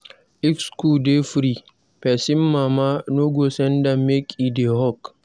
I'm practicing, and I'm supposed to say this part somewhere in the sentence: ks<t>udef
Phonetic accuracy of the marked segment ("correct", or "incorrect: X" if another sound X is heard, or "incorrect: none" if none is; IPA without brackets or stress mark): incorrect: k